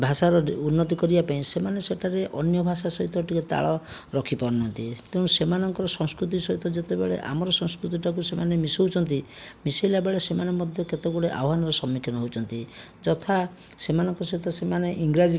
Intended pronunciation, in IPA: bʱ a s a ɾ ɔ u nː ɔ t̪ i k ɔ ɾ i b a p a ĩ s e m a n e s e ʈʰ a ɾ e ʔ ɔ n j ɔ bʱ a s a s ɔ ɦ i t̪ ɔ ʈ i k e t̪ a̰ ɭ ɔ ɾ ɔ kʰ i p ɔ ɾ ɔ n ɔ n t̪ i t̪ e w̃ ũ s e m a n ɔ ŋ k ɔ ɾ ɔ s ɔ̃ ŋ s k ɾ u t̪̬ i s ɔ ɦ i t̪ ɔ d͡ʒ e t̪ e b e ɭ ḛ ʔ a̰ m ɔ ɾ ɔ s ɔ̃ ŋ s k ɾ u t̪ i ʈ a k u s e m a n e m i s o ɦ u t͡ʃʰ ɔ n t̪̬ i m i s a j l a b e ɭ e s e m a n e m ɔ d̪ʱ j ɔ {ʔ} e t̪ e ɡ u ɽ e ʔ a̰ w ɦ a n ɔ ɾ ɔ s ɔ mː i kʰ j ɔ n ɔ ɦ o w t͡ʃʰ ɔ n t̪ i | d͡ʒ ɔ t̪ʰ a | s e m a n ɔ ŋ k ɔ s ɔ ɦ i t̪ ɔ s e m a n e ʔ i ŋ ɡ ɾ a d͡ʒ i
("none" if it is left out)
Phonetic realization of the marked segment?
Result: k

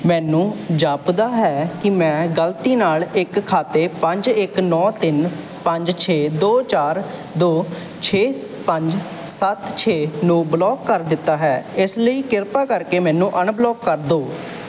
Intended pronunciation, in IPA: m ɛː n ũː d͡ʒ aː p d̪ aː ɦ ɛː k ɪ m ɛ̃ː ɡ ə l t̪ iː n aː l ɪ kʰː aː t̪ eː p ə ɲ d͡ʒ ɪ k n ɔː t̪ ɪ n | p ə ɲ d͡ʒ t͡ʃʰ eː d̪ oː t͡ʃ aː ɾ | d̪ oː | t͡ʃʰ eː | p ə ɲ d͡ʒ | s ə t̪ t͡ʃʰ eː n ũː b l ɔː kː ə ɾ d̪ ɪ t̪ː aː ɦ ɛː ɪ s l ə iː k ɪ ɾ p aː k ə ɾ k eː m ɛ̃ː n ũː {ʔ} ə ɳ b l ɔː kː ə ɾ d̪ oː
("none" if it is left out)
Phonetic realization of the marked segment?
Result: ʔ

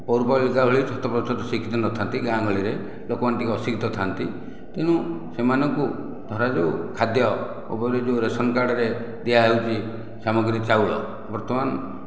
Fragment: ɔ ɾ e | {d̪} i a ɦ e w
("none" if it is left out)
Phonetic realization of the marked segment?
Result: d̪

